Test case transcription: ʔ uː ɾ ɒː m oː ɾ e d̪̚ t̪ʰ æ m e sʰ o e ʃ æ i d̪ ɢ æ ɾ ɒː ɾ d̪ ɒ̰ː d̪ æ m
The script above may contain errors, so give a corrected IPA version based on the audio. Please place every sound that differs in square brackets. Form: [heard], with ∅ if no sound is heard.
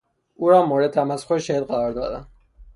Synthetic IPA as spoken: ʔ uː ɾ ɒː m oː ɾ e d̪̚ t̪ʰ æ m [æ] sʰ o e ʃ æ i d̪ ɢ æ ɾ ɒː ɾ d̪ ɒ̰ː d̪ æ [n]